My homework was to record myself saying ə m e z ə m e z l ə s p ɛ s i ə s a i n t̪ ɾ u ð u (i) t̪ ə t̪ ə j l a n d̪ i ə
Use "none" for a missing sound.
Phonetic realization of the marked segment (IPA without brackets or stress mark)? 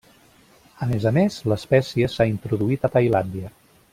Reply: i